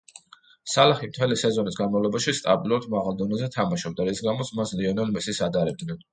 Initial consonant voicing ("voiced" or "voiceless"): voiceless